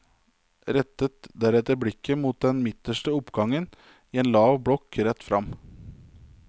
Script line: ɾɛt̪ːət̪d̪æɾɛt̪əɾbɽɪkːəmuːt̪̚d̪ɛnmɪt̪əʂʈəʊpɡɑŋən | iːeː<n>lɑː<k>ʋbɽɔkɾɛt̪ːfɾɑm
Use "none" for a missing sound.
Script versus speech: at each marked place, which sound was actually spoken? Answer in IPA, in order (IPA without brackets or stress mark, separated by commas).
n, none